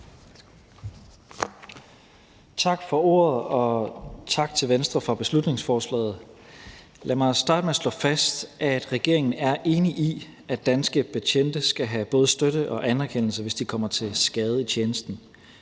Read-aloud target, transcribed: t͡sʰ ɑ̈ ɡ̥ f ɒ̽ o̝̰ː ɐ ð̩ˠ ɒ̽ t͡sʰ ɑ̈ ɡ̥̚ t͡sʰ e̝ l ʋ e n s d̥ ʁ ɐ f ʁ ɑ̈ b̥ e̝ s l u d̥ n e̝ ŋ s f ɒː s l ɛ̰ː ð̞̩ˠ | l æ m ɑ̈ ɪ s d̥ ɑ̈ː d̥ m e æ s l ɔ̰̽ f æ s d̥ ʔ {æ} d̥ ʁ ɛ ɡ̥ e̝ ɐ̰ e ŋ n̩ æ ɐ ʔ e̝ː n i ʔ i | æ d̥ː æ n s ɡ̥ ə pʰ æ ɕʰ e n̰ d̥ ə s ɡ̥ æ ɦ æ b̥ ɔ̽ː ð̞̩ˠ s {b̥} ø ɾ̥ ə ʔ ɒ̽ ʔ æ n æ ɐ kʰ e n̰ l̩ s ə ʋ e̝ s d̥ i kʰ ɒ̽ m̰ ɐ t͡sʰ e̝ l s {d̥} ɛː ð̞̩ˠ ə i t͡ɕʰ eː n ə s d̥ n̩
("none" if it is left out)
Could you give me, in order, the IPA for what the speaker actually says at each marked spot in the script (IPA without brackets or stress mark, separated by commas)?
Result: æ, d̥, ɡ̥